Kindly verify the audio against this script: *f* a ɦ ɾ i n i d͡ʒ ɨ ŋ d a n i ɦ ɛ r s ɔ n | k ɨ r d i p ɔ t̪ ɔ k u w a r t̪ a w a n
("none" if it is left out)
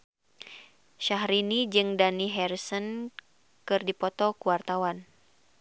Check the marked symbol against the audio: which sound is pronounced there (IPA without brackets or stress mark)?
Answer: ʃ